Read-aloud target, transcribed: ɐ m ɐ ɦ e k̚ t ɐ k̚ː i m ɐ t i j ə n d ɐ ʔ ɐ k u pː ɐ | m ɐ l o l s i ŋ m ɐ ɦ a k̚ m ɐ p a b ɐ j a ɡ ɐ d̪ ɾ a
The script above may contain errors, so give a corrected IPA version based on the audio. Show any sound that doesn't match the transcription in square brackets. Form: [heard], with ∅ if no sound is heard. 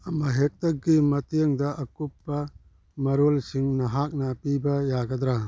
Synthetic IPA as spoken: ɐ m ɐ ɦ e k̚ t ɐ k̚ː i m ɐ t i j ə [ŋ] d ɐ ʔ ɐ k u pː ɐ | m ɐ [ɾ] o l s i ŋ [n] ɐ ɦ a k̚ [n] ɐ p [i] b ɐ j a ɡ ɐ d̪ ɾ a